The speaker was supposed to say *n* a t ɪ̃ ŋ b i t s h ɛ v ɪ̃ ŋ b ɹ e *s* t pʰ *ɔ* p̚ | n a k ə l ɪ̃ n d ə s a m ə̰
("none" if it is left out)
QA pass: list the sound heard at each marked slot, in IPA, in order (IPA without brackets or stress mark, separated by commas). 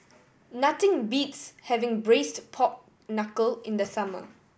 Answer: n, s, ɔ